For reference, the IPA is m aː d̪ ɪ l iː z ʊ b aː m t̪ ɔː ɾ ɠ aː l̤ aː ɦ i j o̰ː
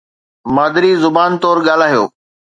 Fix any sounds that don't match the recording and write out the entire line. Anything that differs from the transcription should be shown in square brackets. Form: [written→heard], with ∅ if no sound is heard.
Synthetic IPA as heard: m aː d̪ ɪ [l→ɾ] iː z ʊ b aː [m→n] t̪ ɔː ɾ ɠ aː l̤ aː ɦ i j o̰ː